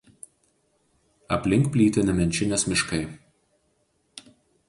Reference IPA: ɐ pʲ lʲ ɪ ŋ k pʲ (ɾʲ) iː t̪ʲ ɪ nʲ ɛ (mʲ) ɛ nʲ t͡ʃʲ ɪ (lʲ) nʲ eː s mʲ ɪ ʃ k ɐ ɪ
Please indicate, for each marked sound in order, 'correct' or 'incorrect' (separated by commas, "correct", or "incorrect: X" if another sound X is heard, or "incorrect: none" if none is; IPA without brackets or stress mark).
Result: incorrect: lʲ, correct, incorrect: none